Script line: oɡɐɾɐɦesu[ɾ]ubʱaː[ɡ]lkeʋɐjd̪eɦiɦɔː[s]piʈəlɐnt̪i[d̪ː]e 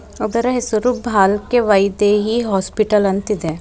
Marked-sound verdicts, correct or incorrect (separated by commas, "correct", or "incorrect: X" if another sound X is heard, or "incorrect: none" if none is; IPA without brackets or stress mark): correct, incorrect: none, correct, incorrect: d̪